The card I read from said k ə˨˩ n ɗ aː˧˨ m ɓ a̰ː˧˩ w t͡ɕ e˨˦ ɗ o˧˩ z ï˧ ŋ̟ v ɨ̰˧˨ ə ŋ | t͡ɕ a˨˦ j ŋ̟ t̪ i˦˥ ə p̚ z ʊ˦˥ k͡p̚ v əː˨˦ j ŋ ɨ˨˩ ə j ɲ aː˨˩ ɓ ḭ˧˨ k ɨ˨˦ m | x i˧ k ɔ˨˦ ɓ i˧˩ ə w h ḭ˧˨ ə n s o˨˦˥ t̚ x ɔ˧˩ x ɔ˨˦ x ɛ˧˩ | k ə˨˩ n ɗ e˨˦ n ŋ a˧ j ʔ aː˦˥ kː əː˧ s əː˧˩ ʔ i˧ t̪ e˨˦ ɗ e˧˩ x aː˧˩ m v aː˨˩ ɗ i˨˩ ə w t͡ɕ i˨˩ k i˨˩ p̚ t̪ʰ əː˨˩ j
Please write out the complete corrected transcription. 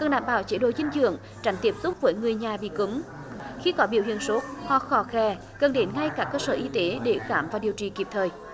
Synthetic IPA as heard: k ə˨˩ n ɗ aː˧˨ m ɓ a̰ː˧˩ w t͡ɕ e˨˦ ɗ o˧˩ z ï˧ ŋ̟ z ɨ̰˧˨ ə ŋ | t͡ɕ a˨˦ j ŋ̟ t̪ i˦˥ ə p̚ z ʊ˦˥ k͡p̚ v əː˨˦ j ŋ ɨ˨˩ ə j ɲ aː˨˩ ɓ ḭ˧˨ k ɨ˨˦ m | x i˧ k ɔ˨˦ ɓ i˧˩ ə w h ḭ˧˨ ə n s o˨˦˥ t̚ h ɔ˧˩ x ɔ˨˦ x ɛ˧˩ | k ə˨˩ n ɗ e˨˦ n ŋ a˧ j k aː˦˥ kː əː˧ s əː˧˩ ʔ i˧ t̪ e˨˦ ɗ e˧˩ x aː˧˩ m v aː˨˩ ɗ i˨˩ ə w t͡ɕ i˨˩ k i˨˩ p̚ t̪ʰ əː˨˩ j